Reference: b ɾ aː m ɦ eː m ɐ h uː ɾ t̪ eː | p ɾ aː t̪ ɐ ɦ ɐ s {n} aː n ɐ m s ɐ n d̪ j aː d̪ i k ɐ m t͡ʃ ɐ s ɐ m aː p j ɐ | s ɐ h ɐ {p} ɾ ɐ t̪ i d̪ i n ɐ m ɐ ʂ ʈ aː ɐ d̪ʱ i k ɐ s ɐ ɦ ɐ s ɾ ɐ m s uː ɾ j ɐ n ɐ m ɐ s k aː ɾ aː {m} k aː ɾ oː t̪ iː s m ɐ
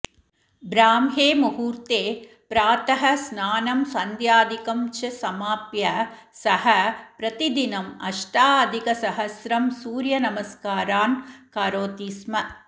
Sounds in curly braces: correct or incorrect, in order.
correct, correct, incorrect

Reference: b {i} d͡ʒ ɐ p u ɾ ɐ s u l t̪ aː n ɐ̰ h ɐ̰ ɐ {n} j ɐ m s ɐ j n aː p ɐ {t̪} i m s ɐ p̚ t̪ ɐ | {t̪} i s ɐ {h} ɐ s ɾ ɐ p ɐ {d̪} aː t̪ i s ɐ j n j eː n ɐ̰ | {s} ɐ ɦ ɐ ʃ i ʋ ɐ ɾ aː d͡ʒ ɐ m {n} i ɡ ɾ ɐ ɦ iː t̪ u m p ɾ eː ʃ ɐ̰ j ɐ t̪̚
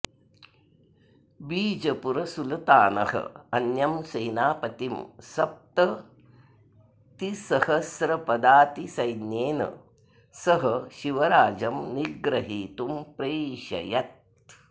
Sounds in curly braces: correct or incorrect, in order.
incorrect, correct, correct, correct, correct, correct, correct, correct

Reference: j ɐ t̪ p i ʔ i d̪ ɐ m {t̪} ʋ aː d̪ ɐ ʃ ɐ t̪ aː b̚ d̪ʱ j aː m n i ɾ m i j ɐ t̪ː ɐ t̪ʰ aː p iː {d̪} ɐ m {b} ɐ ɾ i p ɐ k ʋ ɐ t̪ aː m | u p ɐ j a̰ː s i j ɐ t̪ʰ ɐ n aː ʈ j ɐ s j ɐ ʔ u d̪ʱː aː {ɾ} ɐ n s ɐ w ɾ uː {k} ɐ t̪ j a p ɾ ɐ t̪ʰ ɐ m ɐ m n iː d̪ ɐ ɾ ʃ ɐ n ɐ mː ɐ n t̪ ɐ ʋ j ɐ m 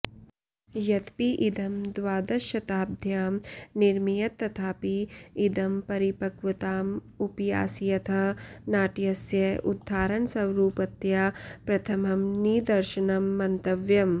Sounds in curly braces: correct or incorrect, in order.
incorrect, correct, incorrect, correct, incorrect

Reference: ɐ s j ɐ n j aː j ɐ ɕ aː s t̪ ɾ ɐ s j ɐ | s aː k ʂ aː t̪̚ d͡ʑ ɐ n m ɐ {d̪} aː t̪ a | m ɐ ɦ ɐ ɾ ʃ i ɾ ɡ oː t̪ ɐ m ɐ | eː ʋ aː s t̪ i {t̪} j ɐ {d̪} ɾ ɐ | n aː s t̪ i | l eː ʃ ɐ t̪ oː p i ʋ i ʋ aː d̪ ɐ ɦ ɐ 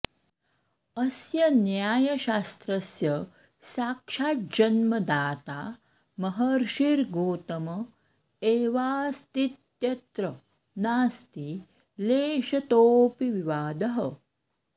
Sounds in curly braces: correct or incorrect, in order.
correct, correct, incorrect

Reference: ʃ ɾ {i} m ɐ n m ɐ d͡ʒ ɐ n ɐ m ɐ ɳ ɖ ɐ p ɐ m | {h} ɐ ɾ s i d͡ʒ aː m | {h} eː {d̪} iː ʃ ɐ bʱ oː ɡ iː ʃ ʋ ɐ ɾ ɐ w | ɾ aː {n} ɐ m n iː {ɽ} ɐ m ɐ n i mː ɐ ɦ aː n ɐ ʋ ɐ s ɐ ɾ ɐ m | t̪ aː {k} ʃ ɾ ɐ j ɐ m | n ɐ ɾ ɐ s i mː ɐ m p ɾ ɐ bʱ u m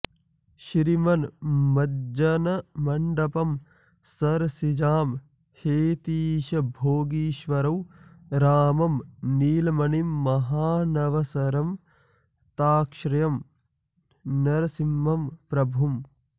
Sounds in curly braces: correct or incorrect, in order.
correct, incorrect, correct, incorrect, incorrect, incorrect, correct

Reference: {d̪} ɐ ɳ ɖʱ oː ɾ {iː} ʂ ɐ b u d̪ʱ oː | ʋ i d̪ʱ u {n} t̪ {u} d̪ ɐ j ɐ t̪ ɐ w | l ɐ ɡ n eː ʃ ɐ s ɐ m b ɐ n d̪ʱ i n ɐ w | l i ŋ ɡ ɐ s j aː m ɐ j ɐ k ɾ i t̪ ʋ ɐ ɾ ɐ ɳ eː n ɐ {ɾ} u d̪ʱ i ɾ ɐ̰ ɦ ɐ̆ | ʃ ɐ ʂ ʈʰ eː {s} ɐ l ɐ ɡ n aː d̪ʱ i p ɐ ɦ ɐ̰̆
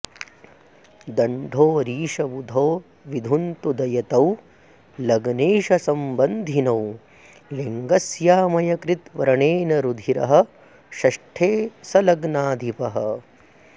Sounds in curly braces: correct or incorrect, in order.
correct, correct, correct, correct, correct, correct

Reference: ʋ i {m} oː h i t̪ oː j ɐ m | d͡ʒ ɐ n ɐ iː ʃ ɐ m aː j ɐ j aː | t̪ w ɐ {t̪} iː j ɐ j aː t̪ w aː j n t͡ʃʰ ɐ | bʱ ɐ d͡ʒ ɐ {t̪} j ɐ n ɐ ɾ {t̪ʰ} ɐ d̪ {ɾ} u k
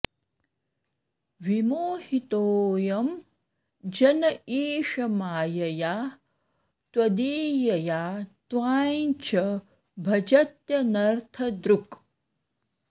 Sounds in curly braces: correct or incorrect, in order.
correct, incorrect, correct, correct, correct

